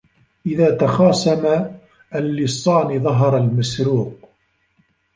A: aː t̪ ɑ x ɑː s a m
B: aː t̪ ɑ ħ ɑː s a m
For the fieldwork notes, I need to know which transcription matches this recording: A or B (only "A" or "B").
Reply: A